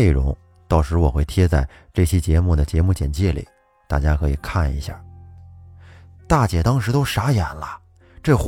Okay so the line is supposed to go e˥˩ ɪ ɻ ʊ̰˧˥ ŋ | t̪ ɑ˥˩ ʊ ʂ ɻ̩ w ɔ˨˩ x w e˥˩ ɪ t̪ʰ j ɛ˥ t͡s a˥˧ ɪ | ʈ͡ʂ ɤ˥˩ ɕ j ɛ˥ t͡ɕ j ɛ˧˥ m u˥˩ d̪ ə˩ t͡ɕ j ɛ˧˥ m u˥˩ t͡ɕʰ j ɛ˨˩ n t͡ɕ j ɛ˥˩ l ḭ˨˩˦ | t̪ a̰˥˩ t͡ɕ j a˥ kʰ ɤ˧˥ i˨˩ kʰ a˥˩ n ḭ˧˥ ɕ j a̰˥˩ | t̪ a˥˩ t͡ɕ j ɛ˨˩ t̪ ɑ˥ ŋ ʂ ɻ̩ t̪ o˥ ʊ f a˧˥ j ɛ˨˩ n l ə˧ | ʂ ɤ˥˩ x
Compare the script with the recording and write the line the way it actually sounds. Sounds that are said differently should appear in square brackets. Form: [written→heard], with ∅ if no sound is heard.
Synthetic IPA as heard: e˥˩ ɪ ɻ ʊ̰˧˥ ŋ | t̪ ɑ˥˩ ʊ ʂ ɻ̩ w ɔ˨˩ x w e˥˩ ɪ t̪ʰ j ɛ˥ t͡s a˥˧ ɪ | ʈ͡ʂ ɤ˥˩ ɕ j ɛ˥ t͡ɕ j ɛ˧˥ m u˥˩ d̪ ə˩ t͡ɕ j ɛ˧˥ m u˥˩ [t͡ɕʰ→t͡ɕ] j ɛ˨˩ n t͡ɕ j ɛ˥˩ l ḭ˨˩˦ | t̪ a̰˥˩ t͡ɕ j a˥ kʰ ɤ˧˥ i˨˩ kʰ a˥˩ n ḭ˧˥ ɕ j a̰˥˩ | t̪ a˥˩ t͡ɕ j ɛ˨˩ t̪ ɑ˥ ŋ ʂ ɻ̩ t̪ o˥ ʊ [f→ʂ] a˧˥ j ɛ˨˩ n l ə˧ | [ʂ→ʈ͡ʂ] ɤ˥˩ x